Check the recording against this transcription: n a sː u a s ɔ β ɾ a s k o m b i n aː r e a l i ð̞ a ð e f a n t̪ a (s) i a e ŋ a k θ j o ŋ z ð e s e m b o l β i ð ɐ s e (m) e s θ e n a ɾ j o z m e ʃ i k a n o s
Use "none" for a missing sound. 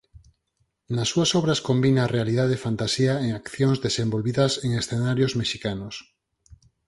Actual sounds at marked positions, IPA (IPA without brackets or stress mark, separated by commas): s, ŋ